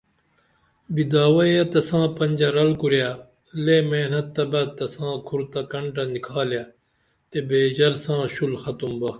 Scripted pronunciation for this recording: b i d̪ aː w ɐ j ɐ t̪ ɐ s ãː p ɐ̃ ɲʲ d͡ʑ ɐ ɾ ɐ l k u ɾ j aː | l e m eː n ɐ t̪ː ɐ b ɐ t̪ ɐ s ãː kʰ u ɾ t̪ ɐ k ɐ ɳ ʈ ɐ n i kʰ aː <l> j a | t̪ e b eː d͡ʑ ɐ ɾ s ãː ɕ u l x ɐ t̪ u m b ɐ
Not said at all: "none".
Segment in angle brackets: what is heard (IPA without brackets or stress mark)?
l